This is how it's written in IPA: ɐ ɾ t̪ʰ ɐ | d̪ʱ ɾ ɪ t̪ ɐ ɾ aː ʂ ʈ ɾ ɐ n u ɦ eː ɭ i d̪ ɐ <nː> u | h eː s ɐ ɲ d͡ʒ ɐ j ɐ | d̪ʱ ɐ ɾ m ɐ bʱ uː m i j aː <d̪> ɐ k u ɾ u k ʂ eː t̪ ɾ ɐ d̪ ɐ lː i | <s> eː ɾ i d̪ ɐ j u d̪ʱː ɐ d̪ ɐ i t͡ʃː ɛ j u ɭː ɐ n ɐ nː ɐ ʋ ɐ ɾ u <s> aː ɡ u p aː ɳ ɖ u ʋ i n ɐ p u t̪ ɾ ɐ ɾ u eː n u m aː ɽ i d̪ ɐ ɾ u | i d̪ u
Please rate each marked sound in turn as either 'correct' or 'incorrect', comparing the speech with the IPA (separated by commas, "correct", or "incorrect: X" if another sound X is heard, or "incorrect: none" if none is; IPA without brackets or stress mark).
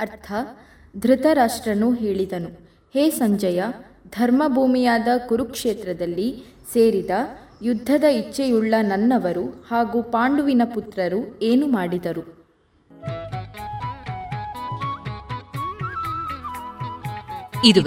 incorrect: n, correct, correct, incorrect: h